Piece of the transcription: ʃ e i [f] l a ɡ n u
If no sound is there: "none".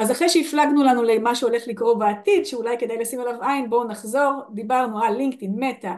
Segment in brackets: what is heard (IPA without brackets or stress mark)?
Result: f